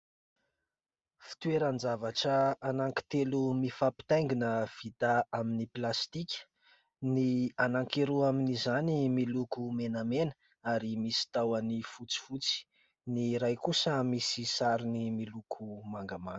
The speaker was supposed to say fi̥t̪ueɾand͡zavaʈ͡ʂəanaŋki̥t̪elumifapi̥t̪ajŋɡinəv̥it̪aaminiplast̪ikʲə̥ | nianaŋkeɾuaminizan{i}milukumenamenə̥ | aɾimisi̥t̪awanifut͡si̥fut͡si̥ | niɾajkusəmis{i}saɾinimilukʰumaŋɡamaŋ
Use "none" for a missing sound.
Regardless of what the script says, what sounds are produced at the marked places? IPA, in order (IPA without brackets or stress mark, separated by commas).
i, i